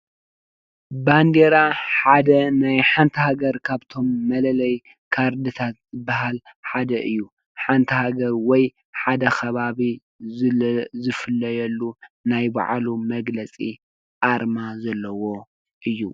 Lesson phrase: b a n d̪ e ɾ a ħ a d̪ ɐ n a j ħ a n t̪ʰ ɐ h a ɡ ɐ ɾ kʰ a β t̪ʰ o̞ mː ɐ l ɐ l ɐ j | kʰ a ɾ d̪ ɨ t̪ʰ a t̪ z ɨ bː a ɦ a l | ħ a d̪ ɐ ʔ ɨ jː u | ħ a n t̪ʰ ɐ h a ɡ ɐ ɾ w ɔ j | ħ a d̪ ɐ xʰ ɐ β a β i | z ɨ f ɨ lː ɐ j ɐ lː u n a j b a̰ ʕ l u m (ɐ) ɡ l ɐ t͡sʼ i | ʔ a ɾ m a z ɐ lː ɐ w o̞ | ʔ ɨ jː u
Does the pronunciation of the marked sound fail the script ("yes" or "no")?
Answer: no